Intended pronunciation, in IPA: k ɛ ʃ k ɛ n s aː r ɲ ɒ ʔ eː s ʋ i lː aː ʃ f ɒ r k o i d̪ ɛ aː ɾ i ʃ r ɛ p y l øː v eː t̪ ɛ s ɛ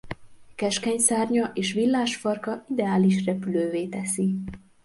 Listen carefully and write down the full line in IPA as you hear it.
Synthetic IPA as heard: k ɛ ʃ k ɛ ɲ s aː r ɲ ɒ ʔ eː ʃ ʋ i lː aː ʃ f ɒ r k ɒ i d̪ ɛ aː l i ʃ r ɛ p y l øː v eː t̪ ɛ s i

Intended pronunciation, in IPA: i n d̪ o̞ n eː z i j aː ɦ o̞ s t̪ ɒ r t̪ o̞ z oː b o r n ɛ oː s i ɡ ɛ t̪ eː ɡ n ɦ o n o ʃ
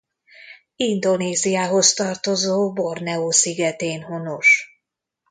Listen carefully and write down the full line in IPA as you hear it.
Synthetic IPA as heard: i n d̪ o̞ n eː z i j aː ɦ o̞ s t̪ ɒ r t̪ o̞ z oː b o r n ɛ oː s i ɡ ɛ t̪ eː n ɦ o n o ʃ

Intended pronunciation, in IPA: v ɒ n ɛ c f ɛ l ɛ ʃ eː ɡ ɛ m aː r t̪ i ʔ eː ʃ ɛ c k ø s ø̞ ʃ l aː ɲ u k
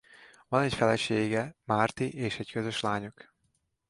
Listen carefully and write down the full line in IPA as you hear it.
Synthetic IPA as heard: v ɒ n ɛ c f ɛ l ɛ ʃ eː ɡ ɛ m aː r t̪ i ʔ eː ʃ ɛ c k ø z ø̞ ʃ l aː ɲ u k

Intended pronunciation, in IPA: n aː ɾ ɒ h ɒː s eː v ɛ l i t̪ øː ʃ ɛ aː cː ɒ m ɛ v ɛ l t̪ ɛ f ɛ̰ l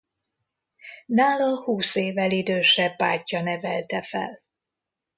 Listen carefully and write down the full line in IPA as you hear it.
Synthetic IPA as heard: n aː l ɒ h uː s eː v ɛ l i d̪ øː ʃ ɛ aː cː ɒ n ɛ v ɛ l t̪ ɛ f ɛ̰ l

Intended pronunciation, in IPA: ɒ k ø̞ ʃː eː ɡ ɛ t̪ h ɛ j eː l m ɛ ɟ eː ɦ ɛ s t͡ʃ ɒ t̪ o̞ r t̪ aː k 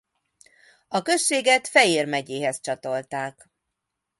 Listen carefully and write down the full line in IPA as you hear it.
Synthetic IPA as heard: ɒ k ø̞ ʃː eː ɡ ɛ t̪ f ɛ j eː r m ɛ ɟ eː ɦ ɛ s t͡ʃ ɒ t̪ o̞ l t̪ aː k

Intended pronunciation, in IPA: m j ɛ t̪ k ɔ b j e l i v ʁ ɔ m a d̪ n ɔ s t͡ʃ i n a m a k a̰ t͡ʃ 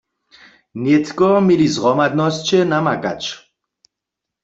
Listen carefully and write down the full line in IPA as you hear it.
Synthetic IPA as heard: n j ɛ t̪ k ɔ m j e l i z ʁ ɔ m a d̪ n ɔ s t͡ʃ ɛ n a m a k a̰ t͡ʃ

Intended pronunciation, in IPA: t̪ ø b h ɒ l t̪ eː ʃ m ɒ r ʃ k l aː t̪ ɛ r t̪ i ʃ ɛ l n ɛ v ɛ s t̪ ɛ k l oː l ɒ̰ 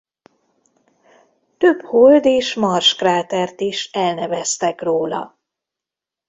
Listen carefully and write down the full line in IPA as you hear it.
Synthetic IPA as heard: t̪ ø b h o l d̪ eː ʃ m ɒ r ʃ k r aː t̪ ɛ r t̪ i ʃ ɛ l n ɛ v ɛ s t̪ ɛ k r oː l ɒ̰

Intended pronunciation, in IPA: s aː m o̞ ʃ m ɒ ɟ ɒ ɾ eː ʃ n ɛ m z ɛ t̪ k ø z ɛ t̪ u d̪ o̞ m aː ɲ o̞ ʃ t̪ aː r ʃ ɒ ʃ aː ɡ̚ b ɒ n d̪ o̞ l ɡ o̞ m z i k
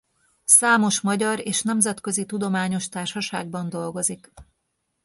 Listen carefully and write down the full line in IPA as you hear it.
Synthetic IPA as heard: s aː m o̞ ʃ m ɒ ɟ ɒ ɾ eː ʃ n ɛ m z ɛ t̪ k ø z i t̪ u d̪ o̞ m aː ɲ o̞ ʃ t̪ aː r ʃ ɒ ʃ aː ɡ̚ b ɒ n d̪ o̞ l ɡ o̞ z i k

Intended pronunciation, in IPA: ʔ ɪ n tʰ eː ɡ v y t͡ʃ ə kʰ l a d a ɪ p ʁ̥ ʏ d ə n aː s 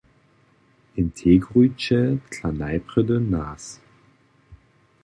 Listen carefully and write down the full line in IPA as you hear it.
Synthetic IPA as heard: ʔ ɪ n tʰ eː ɡ ʁ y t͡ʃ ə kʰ l a n a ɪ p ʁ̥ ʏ d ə n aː s

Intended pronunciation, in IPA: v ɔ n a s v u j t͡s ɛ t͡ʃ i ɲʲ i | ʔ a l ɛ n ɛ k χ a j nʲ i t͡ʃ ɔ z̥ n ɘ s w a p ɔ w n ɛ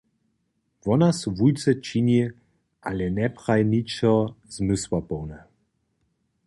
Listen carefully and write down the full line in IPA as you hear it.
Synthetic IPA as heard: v ɔ n a s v u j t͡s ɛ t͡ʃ i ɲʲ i | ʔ a l ɛ n ɛ p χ a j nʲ i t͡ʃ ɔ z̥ m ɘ s w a p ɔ w n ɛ

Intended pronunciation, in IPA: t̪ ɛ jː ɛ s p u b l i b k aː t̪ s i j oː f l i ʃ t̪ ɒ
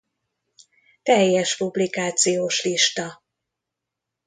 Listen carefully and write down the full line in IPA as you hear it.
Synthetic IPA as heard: t̪ ɛ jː ɛ ʃ p u b l i k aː t̪ s i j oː ʃ l i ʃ t̪ ɒ

